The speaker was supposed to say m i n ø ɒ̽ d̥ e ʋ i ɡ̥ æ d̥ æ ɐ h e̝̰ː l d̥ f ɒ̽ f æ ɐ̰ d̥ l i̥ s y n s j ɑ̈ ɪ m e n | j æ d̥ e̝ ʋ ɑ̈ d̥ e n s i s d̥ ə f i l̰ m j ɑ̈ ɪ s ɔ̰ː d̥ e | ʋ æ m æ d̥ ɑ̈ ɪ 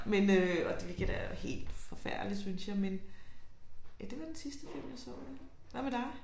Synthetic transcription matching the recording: m e n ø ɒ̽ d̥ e ʋ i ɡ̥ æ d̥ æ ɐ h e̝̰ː l d̥ f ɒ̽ f æ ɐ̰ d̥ l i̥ s y n s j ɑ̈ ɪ m e n | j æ d̥ e̝ ʋ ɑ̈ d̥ e n s i s d̥ ə f i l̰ m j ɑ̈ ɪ s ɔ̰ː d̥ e | ʋ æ m e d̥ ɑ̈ ɪ